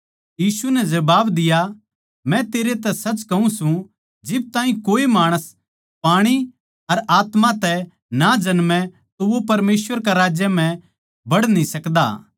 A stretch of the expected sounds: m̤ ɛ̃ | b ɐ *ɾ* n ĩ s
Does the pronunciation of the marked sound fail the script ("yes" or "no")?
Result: yes